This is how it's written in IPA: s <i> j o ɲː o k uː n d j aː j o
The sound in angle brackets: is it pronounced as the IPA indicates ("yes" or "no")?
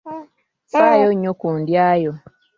no